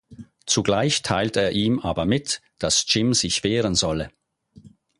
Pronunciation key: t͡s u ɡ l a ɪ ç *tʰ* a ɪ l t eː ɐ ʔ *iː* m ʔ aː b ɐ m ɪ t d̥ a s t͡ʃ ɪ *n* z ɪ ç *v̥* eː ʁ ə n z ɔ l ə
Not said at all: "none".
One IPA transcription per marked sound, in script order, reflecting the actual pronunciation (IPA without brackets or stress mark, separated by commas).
tʰ, iː, m, v̥